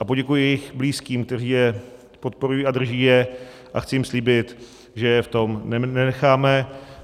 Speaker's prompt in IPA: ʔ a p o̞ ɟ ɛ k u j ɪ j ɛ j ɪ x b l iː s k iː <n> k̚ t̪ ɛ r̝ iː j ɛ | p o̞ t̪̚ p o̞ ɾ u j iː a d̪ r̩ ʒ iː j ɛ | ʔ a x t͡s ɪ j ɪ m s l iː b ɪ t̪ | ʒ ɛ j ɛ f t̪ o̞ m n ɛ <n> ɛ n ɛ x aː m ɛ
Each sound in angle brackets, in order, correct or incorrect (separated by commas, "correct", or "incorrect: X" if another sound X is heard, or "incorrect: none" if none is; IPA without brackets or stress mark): incorrect: m, correct